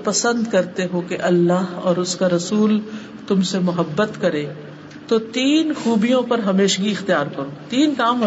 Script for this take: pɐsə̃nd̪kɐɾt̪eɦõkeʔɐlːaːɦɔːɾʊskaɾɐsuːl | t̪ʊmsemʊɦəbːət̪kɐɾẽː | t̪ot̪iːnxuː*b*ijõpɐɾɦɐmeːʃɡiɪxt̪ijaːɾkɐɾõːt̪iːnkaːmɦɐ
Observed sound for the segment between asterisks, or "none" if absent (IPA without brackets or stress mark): b